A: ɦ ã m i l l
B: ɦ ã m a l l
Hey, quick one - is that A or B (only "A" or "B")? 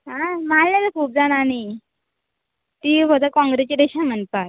B